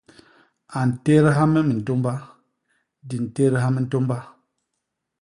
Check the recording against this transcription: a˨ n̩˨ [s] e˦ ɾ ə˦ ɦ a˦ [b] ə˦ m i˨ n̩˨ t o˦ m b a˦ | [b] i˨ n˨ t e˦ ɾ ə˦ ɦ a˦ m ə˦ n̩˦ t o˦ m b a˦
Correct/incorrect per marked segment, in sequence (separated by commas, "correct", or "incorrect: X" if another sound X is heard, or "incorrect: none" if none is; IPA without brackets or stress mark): incorrect: t, incorrect: m, incorrect: d